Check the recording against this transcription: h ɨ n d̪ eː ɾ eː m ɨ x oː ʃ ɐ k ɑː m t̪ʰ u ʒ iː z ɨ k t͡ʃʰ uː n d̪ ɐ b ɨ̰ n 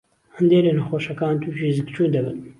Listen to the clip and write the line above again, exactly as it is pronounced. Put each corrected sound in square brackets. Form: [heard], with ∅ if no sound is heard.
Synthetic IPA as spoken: h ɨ n d̪ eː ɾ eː [n] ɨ x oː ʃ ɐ k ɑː [n] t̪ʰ u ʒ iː z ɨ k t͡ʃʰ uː n d̪ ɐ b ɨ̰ n